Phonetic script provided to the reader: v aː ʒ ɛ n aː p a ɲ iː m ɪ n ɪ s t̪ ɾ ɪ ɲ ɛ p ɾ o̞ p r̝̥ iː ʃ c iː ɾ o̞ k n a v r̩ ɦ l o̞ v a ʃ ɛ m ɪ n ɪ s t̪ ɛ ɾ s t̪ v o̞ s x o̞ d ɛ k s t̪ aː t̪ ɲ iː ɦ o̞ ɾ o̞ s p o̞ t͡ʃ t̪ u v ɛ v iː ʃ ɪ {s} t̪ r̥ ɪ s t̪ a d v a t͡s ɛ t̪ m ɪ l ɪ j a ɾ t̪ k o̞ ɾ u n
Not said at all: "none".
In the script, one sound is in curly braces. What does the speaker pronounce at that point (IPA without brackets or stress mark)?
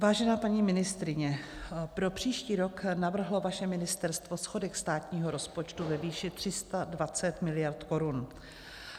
none